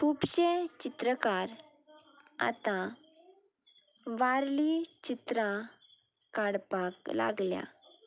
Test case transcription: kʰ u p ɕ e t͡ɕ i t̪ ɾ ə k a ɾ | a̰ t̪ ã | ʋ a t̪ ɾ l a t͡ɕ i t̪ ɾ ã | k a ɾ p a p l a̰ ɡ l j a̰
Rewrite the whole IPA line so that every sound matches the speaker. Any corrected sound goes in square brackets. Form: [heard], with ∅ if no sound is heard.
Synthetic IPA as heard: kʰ u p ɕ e t͡ɕ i t̪ ɾ ə k a ɾ | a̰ t̪ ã | ʋ a [∅] ɾ l [i] t͡ɕ i t̪ ɾ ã | k a [ɽ] p a [k] l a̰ ɡ l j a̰